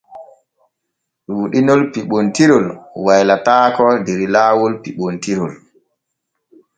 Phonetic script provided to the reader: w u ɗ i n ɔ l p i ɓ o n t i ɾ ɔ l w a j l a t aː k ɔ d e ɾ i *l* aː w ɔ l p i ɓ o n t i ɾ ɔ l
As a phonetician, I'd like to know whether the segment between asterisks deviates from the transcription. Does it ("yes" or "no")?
no